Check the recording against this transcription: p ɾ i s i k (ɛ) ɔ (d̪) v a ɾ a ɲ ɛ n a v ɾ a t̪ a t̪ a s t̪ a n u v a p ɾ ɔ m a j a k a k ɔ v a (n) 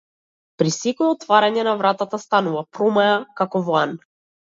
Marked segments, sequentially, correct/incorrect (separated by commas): correct, incorrect, correct